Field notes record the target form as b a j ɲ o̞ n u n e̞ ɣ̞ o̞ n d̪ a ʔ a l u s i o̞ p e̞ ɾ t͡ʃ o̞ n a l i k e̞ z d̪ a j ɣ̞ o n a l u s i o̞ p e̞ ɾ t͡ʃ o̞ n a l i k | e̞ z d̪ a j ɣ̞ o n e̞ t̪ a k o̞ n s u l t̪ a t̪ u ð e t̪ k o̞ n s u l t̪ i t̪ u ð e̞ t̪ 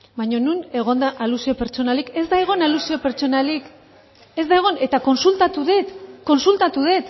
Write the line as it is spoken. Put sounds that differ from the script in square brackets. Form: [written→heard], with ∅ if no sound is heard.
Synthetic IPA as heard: b a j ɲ o̞ n u n e̞ ɣ̞ o̞ n d̪ a ʔ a l u s i o̞ p e̞ ɾ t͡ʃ o̞ n a l i k e̞ z d̪ a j ɣ̞ o n a l u s i o̞ p e̞ ɾ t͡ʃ o̞ n a l i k | e̞ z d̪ a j ɣ̞ o n e̞ t̪ a k o̞ n s u l t̪ a t̪ u ð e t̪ k o̞ n s u l t̪ [i→a] t̪ u ð e̞ t̪